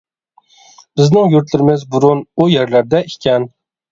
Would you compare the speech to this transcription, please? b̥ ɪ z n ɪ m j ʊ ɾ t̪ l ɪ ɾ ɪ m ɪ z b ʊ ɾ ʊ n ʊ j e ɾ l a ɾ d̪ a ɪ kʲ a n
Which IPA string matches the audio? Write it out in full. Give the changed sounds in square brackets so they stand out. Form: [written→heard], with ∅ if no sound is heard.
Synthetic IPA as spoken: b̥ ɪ z n ɪ [m→ŋ] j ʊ ɾ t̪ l ɪ ɾ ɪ m ɪ z b ʊ ɾ ʊ n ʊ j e ɾ l a ɾ d̪ a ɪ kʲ a n